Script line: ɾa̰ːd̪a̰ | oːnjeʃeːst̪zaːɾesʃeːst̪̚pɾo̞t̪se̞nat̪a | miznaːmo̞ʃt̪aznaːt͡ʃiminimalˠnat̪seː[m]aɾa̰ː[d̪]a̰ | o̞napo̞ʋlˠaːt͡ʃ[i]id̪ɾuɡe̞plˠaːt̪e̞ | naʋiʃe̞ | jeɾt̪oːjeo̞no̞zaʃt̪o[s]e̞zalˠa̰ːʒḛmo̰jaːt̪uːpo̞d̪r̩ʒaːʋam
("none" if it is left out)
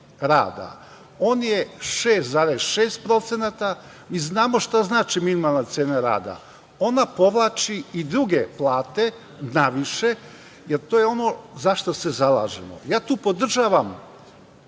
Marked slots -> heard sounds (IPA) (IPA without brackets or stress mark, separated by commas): n, d̪, i, s